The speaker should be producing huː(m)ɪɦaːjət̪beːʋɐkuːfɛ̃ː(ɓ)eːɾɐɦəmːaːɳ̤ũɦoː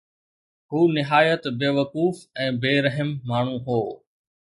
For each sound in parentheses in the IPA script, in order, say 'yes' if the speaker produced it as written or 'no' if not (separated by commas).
no, no